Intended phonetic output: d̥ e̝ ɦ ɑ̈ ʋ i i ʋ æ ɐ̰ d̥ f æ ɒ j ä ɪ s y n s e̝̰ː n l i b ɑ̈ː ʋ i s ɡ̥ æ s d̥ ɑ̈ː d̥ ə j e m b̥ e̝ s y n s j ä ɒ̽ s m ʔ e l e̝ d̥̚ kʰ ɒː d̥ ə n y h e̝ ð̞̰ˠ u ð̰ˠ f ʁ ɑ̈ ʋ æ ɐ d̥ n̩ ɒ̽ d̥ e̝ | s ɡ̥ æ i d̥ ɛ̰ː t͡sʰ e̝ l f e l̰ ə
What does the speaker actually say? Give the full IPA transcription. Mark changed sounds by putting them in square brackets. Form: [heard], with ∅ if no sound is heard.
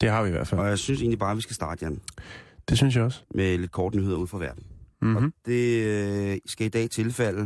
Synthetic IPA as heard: d̥ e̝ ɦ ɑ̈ ʋ i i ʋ æ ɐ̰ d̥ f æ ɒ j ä ɪ s y n s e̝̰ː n l i b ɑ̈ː ʋ i s ɡ̥ æ s d̥ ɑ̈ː d̥ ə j e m [d̥] e̝ s y n s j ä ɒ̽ s m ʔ e l e̝ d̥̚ kʰ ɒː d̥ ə n y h e̝ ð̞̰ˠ u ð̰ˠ f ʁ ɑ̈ ʋ æ ɐ d̥ n̩ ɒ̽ d̥ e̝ | s ɡ̥ æ i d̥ ɛ̰ː t͡sʰ e̝ l f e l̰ ə